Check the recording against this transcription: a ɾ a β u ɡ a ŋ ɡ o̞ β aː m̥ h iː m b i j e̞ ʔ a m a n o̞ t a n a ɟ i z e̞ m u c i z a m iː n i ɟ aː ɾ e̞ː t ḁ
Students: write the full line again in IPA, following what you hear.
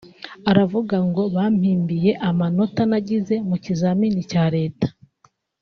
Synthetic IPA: a ɾ a v u ɡ a ŋ ɡ o̞ β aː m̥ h iː m b i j e̞ ʔ a m a n o̞ t a n a ɟ i z e̞ m u c i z a m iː n i c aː ɾ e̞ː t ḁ